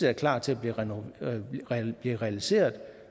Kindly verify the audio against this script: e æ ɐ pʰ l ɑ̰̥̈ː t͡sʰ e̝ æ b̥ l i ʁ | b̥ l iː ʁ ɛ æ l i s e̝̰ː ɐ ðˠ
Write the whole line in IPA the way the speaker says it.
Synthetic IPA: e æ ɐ kʰ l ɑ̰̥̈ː t͡sʰ e̝ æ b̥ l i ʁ | b̥ l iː ʁ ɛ æ l i s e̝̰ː ɐ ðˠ